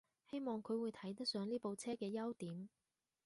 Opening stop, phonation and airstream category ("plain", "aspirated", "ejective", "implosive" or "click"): aspirated